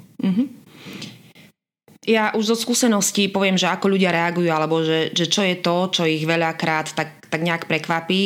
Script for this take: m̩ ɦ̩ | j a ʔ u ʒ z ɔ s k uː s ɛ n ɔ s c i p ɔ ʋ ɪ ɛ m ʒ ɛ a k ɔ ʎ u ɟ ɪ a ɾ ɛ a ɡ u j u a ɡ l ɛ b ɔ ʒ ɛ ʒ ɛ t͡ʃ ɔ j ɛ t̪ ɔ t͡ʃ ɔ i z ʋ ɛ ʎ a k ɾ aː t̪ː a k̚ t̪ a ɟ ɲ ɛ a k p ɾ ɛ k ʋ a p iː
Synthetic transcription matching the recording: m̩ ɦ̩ | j a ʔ u ʒ z ɔ s k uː s ɛ n ɔ s c i p ɔ ʋ ɪ ɛ m ʒ ɛ a k ɔ ʎ u ɟ ɪ a ɾ ɛ a ɡ u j u a l ɛ b ɔ ʒ ɛ ʒ ɛ t͡ʃ ɔ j ɛ t̪ ɔ t͡ʃ ɔ i ɣ ʋ ɛ ʎ a k ɾ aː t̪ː a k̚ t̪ a ɡ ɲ ɛ a k p ɾ ɛ k ʋ a p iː